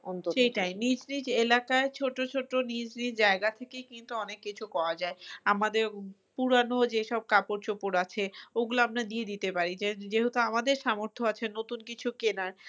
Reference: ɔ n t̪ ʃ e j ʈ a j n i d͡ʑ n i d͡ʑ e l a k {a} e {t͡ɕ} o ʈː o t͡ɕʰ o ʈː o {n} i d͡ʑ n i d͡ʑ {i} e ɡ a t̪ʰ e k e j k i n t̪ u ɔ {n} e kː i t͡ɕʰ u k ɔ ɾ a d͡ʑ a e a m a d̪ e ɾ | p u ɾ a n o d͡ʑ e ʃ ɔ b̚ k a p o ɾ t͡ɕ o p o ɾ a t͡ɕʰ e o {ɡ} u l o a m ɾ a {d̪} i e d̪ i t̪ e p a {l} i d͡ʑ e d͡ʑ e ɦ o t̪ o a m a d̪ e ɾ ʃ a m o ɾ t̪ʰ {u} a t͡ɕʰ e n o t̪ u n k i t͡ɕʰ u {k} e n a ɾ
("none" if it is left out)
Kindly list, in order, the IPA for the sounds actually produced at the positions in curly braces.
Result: a, t͡ɕʰ, n, a, n, ɡ, d̪, ɾ, o, k

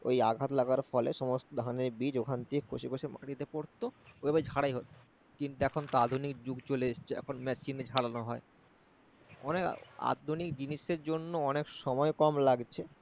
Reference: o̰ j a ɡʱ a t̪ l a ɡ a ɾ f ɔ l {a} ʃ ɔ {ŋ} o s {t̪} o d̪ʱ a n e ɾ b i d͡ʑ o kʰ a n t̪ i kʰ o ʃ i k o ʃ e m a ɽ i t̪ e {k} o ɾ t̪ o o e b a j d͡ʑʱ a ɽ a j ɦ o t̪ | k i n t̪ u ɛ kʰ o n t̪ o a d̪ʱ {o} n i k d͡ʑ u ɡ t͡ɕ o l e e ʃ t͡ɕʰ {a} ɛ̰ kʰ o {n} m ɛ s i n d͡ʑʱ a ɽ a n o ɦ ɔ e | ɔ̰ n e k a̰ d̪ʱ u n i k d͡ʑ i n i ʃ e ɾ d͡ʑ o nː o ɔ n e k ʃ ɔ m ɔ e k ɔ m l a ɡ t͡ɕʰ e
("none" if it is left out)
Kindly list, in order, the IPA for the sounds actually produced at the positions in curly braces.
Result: e, m, t̪, p, u, e, n

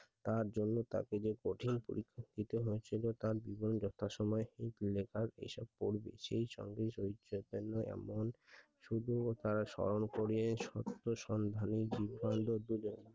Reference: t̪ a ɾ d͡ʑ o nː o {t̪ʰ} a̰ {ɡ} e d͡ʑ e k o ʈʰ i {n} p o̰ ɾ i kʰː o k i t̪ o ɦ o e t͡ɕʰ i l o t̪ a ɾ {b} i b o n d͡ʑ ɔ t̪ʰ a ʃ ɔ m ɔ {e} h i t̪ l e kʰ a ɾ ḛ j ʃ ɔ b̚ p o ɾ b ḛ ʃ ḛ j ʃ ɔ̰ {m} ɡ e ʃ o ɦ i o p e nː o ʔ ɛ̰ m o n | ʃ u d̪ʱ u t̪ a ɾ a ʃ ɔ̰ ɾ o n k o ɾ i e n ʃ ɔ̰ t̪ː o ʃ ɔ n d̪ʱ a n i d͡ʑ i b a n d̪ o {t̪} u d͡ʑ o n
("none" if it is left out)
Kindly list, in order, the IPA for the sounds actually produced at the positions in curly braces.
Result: t̪, k, n, b, e, ŋ, d̪

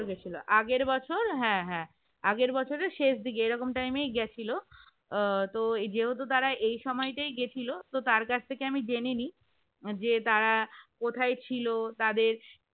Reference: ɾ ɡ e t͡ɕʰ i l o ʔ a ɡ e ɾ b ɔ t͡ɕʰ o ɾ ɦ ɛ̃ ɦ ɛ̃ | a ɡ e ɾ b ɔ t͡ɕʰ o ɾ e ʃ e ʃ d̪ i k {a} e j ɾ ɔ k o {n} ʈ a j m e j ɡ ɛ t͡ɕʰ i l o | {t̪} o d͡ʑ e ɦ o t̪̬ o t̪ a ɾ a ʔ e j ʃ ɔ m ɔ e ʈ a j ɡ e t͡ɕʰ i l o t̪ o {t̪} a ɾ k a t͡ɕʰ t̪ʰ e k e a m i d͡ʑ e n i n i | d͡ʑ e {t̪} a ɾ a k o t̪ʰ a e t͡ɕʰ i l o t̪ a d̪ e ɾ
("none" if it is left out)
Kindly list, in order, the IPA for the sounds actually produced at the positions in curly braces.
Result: e, m, t̪, t̪, t̪

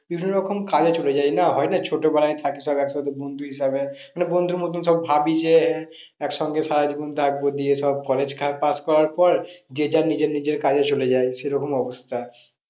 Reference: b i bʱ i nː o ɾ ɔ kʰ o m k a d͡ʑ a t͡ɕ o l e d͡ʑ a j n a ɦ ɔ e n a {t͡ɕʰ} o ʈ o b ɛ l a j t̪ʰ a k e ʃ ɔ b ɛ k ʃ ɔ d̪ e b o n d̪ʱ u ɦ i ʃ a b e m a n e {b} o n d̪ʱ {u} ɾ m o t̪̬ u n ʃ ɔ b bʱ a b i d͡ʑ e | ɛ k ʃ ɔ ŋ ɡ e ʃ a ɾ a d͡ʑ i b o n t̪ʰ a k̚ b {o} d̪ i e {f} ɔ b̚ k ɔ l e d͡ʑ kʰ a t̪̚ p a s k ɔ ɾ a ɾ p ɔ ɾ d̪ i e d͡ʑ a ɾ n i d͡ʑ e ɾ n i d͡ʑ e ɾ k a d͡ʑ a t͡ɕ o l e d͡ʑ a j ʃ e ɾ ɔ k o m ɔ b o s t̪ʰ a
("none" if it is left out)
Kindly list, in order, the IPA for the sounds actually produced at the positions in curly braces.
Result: t͡ɕʰ, b, u, o, ʃ

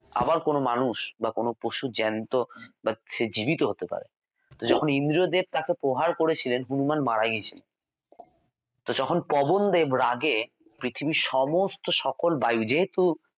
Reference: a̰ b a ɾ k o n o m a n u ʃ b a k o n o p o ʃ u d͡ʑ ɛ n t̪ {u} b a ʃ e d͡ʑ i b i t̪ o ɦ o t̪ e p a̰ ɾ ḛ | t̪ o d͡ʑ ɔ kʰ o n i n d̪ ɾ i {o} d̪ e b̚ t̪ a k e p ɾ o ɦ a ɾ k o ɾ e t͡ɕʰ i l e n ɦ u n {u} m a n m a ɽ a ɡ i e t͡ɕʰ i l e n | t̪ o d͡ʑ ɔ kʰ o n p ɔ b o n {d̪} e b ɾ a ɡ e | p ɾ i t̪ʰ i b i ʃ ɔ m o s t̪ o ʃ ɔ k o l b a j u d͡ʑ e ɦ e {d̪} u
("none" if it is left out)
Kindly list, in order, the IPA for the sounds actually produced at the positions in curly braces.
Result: o, o, u, d̪, t̪

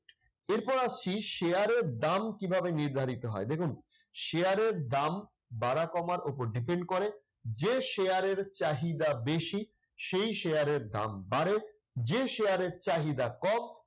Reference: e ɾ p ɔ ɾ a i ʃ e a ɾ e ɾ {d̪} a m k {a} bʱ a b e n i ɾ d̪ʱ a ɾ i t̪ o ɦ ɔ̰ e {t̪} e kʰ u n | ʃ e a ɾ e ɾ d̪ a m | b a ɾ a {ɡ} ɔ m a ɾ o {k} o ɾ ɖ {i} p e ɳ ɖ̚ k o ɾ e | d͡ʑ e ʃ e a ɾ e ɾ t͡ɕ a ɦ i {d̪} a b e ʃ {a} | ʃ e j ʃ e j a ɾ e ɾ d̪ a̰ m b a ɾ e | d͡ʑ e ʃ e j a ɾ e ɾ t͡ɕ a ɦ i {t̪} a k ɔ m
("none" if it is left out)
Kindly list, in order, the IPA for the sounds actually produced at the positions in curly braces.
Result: d̪, i, d̪, k, p, i, d̪, i, d̪

